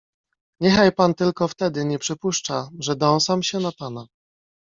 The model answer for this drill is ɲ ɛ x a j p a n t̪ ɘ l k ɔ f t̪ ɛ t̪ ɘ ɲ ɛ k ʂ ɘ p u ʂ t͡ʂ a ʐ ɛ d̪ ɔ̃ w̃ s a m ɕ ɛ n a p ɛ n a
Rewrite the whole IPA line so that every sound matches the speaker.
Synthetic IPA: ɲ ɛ x a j p a n t̪ ɘ l k ɔ f t̪ ɛ d̪ ɘ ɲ ɛ p ʂ ɘ p u ʂ t͡ʂ a ʐ ɛ d̪ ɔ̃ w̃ s a m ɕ ɛ n a p a n a

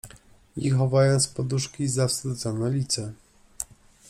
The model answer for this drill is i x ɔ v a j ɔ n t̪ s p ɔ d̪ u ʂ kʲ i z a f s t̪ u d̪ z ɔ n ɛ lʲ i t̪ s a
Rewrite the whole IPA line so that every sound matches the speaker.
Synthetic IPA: i x ɔ v a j ɔ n t̪ s p ɔ d̪ u ʂ kʲ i z a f s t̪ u d̪ z ɔ n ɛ lʲ i t̪ s ɛ

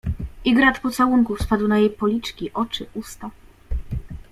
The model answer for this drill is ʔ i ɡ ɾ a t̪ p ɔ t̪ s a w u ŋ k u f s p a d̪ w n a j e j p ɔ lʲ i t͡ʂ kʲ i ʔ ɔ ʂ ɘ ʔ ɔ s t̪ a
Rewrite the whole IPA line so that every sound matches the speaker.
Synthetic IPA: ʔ i ɡ ɾ a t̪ p ɔ t̪ s a w u ŋ k u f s p a d̪ w n a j e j p ɔ lʲ i t͡ʂ kʲ i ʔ ɔ t͡ʂ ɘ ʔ u s t̪ a

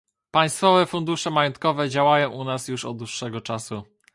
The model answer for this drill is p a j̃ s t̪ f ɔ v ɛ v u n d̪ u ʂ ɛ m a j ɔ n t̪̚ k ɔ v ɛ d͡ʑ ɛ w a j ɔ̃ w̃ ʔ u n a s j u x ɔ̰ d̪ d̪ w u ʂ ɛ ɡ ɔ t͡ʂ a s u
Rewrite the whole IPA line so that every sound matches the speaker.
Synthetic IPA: p a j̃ s t̪ f ɔ v ɛ f u n d̪ u ʂ ɛ m a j ɔ n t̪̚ k ɔ v ɛ d͡ʑ a w a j ɔ̃ w̃ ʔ u n a s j u ʂ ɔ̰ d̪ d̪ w u ʂː ɛ ɡ ɔ t͡ʂ a s u

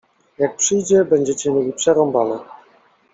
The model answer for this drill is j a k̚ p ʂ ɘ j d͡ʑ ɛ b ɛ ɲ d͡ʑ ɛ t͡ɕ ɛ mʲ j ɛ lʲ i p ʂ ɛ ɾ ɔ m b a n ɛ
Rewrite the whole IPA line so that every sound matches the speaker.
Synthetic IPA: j a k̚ p ʂ ɘ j d͡ʑ ɛ b ɛ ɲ d͡ʑ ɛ t͡ɕ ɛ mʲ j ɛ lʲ i p ʂ ɛ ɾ ɔ m b a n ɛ

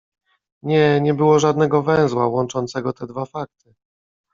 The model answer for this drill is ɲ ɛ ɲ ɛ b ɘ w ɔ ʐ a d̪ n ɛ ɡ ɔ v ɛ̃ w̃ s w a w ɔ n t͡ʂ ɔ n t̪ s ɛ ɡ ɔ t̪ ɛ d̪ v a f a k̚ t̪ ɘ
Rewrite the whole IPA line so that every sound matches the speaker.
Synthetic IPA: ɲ ɛ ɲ ɛ b ɘ w ɔ ʐ a d̪ n ɛ ɡ ɔ v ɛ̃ w̃ z w a w ɔ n t͡ʂ ɔ n t̪ s ɛ ɡ ɔ t̪ ɛ d̪ v a f a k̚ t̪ ɘ

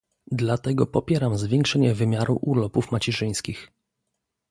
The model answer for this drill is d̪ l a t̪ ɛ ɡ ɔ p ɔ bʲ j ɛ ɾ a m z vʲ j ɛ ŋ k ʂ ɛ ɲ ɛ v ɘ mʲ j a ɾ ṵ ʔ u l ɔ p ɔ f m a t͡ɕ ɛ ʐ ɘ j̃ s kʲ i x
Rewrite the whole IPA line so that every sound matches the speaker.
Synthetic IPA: d̪ l a t̪ ɛ ɡ ɔ p ɔ pʲ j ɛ ɾ a m z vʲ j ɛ ŋ k ʂ ɛ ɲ ɛ v ɘ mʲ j a ɾ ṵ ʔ u l ɔ p u f m a t͡ɕ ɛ ʐ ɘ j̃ s kʲ i x

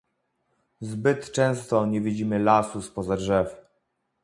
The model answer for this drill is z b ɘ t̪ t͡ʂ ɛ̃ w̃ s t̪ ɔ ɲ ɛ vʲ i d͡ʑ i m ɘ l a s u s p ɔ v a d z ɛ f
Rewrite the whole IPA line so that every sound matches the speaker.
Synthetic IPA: z b ɘ t̪ t͡ʂ ɛ̃ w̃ s t̪ ɔ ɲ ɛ vʲ i d͡ʑ i m ɘ l a s u s p ɔ z a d ʐ ɛ f

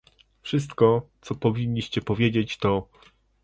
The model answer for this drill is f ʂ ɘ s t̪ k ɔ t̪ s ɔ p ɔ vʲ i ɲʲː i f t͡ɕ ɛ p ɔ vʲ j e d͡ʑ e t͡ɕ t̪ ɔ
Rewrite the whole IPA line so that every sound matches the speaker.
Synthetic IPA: f ʂ ɘ s t̪ k ɔ t̪ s ɔ p ɔ vʲ i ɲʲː i ɕ t͡ɕ ɛ p ɔ vʲ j e d͡ʑ e t͡ɕ t̪ ɔ

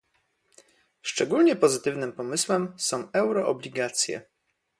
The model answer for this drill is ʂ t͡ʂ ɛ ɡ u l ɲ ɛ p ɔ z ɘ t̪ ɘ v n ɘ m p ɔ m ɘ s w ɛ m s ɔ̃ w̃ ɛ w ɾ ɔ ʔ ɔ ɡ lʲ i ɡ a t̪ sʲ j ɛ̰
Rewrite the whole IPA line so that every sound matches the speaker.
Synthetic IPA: ʂ t͡ʂ ɛ ɡ u l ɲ ɛ p ɔ z ɘ t̪ ɘ v n ɘ m p ɔ m ɘ s w ɛ m s ɔ̃ w̃ ɛ w ɾ ɔ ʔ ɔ b lʲ i ɡ a t̪ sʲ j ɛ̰

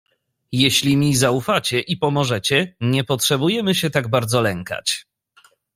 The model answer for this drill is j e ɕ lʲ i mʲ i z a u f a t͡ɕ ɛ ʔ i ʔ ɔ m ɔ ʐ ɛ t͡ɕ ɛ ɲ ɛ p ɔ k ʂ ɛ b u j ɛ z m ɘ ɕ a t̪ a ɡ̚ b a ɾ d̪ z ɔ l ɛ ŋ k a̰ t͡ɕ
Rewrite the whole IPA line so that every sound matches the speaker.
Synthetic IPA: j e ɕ lʲ i mʲ i z a u f a t͡ɕ ɛ ʔ i p ɔ m ɔ ʐ ɛ t͡ɕ ɛ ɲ ɛ p ɔ t ʂ ɛ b u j ɛ m ɘ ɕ ɛ t̪ a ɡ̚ b a ɾ d̪ z ɔ l ɛ ŋ k a̰ t͡ɕ

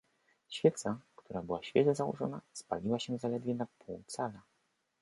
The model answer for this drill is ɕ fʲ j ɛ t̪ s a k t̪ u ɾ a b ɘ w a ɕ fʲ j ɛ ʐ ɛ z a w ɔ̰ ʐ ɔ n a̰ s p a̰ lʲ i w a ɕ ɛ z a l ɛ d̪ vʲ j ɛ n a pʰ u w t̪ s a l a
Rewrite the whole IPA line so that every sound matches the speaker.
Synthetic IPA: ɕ fʲ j ɛ t̪ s a k t̪ u ɾ a b ɘ w a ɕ fʲ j ɛ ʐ ɛ z a w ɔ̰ ʐ ɔ n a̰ s p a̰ lʲ i w a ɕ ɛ z a l ɛ d̪ vʲ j ɛ n a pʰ u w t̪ s a l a

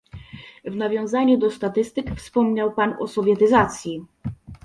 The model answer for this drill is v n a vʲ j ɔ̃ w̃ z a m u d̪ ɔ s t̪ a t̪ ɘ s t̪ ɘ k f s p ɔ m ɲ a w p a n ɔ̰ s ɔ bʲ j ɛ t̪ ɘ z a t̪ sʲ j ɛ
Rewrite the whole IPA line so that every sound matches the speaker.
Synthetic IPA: v n a vʲ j ɔ̃ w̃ z a ɲ u d̪ ɔ s t̪ a t̪ ɘ s t̪ ɘ k f s p ɔ m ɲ a w p a n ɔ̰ s ɔ vʲ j ɛ t̪ ɘ z a t̪ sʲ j i

